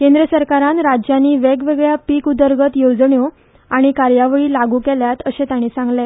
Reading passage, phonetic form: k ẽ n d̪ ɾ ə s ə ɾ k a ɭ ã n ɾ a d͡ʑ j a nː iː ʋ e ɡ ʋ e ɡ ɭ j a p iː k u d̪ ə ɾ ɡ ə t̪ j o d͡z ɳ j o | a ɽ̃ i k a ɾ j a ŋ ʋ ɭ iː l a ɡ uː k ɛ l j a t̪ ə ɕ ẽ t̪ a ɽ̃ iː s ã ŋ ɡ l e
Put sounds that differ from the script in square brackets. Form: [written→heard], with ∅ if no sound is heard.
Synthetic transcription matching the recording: k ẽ n d̪ ɾ ə s ə ɾ k a [ɭ→ɾ] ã n ɾ a d͡ʑ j a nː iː ʋ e ɡ ʋ e ɡ ɭ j a p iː k u d̪ ə ɾ ɡ ə t̪ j o d͡z ɳ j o | a ɽ̃ i k a ɾ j a [ŋ→∅] ʋ ɭ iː l a ɡ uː k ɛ l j a t̪ ə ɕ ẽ t̪ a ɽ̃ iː s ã ŋ ɡ l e